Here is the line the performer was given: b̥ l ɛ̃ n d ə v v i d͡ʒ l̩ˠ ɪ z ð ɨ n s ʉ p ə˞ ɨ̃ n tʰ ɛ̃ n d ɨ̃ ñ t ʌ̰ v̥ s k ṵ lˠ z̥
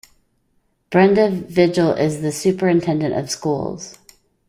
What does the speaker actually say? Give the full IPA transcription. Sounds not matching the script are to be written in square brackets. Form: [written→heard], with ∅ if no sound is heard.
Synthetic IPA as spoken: b̥ [l→ɹ] ɛ̃ n d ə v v [i→ɪ] d͡ʒ l̩ˠ ɪ z ð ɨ [n→∅] s ʉ p ə˞ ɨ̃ n tʰ ɛ̃ n d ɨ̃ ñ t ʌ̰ v̥ s k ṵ lˠ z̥